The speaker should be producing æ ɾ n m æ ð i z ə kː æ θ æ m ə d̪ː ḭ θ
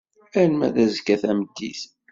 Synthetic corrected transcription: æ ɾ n m æ ð æ z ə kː æ θ æ m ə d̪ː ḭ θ